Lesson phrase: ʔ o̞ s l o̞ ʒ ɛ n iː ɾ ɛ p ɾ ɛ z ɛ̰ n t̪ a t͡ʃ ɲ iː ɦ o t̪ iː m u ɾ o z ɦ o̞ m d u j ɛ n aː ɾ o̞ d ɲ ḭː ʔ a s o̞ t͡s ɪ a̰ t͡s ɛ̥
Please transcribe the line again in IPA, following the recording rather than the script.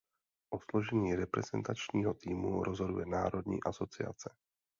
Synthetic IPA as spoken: ʔ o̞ s l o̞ ʒ ɛ ɲ iː ɾ ɛ p ɾ ɛ z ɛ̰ n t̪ a t͡ʃ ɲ iː ɦ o t̪ iː m u ɾ o z ɦ o̞ d u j ɛ n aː ɾ o̞ d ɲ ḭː ʔ a s o̞ t͡s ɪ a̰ t͡s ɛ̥